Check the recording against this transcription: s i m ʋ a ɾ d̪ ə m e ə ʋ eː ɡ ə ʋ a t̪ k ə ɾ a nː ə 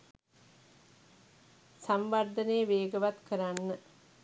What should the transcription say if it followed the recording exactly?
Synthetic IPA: s a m ʋ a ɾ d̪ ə n e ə ʋ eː ɡ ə ʋ a t̪ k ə ɾ a nː ə